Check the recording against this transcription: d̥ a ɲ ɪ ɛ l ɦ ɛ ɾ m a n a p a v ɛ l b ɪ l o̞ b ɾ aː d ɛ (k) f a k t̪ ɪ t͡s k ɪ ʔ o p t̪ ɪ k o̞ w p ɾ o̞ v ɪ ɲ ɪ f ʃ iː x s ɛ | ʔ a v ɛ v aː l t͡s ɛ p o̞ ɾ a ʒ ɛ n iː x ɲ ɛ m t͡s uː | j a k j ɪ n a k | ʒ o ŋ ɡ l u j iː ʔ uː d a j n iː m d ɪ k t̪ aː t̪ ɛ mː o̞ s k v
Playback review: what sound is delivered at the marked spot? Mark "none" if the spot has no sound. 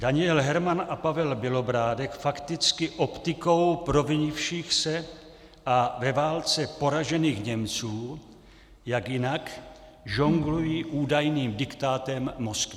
k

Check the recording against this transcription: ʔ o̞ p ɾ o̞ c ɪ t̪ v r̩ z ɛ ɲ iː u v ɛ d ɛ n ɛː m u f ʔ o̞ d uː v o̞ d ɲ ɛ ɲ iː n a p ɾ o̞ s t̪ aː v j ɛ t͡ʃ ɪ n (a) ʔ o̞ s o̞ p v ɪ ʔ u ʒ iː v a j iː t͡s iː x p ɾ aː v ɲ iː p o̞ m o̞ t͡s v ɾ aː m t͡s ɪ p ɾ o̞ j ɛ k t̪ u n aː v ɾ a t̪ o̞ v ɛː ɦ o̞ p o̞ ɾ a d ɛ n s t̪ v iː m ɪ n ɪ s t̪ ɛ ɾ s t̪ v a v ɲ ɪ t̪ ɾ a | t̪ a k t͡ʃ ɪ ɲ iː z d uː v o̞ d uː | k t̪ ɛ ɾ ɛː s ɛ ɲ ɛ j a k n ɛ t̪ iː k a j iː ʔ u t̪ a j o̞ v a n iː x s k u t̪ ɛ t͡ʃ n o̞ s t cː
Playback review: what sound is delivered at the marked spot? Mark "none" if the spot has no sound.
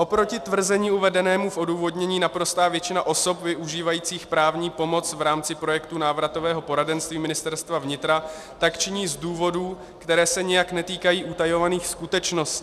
a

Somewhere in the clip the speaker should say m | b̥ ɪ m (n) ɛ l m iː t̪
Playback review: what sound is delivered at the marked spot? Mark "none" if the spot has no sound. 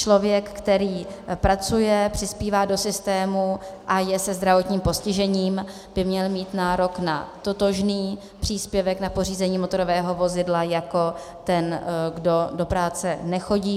ɲ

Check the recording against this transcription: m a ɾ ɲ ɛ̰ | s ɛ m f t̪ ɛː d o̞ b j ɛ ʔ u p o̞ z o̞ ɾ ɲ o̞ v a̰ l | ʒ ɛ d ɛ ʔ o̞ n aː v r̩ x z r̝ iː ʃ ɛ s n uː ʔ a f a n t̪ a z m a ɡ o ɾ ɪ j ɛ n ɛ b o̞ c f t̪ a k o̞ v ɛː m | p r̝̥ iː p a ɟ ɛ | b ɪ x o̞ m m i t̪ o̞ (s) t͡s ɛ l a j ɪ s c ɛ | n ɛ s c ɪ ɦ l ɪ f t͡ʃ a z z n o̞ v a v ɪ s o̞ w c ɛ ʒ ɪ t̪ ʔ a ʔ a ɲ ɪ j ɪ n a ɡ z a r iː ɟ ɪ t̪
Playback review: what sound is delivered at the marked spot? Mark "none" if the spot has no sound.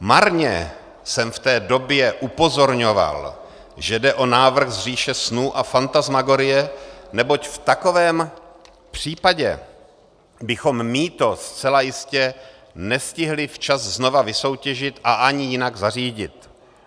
s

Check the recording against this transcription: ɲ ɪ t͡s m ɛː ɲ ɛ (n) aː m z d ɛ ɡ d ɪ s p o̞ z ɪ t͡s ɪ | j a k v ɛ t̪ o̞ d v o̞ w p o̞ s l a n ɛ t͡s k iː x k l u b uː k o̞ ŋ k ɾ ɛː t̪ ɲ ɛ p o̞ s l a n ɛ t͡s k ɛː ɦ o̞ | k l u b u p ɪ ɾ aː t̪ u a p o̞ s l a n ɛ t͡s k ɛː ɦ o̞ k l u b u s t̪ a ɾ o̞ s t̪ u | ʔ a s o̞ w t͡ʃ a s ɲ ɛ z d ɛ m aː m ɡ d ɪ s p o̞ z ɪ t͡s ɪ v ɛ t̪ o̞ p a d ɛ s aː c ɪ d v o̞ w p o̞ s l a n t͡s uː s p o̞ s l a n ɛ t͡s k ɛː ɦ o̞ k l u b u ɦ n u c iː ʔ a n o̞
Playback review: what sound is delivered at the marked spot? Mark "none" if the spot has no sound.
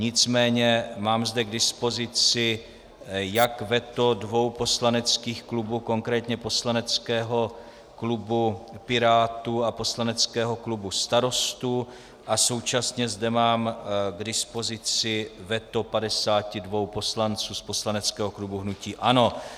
m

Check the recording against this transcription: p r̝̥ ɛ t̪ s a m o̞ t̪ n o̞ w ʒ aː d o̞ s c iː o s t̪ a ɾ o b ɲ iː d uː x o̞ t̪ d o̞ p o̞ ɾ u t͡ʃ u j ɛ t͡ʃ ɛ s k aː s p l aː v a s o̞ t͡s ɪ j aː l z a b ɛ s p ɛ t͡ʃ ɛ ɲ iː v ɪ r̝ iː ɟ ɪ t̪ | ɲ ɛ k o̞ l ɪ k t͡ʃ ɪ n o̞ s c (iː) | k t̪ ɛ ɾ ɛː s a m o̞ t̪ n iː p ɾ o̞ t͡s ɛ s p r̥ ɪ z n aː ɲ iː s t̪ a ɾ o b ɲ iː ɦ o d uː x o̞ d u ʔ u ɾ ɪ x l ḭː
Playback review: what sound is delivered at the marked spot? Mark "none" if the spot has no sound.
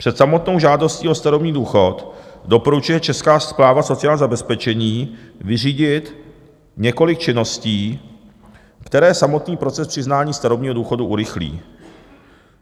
iː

